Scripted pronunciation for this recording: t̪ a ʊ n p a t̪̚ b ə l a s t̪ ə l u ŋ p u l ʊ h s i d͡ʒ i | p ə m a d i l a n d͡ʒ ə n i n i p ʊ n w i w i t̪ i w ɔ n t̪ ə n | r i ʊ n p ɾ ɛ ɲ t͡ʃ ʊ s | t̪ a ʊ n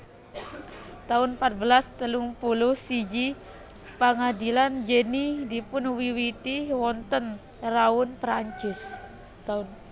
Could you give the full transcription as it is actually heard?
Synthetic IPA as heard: t̪ a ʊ n p a t̪̚ b ə l a s t̪ ə l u ŋ p u l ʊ h s i d͡ʒ i | p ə ŋ a d i l a n d͡ʒ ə n i d i p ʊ n w i w i t̪ i w ɔ n t̪ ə n | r a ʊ n p ɾ a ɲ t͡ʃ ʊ s | t̪ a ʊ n